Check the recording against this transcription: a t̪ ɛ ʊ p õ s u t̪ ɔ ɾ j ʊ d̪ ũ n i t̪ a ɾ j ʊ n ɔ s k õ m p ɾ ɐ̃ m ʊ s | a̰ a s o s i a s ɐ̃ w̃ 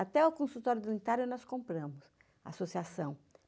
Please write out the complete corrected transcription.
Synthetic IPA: a t̪ ɛ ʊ k õ s u t̪ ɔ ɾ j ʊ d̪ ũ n i t̪ a ɾ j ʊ n ɔ s k õ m p ɾ ɐ̃ m ʊ s | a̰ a s o s i a s ɐ̃ w̃